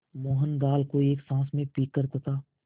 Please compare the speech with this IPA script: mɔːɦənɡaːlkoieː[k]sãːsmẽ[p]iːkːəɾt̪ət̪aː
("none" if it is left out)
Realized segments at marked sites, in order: k, p

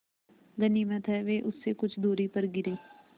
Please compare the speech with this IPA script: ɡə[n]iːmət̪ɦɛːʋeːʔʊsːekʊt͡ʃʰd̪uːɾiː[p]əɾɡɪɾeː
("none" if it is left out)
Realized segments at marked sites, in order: n, p

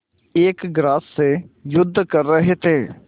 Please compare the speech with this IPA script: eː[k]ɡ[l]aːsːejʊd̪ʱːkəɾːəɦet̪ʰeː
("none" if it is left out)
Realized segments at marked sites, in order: k, ɾ

